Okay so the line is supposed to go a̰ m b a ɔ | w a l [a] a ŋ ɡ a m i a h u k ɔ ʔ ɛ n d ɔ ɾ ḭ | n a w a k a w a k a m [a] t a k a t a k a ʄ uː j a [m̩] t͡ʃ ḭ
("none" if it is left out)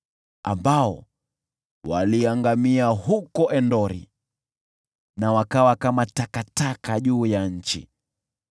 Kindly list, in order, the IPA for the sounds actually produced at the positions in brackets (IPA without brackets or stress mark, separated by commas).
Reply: i, a, ɲ̩